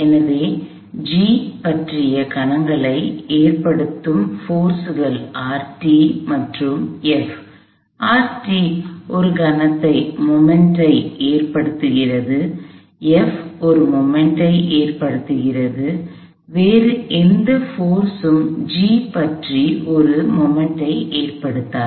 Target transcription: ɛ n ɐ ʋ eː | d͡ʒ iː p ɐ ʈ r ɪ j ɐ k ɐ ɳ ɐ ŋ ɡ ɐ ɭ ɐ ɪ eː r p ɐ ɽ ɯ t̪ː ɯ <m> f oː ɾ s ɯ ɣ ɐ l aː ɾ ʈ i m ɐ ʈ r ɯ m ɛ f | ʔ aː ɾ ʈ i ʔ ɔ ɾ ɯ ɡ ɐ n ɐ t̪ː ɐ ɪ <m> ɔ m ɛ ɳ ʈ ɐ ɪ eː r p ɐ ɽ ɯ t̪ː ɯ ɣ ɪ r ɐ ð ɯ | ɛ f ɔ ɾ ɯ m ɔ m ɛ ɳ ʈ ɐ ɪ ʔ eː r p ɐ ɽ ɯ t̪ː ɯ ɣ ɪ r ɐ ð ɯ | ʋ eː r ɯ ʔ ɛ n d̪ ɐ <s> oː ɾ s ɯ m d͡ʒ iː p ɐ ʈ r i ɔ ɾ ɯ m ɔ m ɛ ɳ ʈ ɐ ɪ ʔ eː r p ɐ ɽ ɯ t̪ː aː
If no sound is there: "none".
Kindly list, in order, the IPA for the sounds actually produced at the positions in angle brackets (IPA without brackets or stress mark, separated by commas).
m, m, f